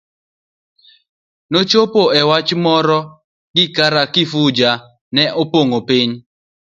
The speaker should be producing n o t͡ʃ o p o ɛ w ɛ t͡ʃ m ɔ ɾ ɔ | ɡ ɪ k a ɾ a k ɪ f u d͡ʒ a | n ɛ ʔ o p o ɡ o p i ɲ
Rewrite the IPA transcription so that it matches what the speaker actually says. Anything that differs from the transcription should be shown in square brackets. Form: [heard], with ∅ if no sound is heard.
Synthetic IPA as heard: n o t͡ʃ o p o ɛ w [a] t͡ʃ m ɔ ɾ ɔ | ɡ ɪ k a ɾ a k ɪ f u d͡ʒ a | n ɛ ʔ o p o [ŋ] o p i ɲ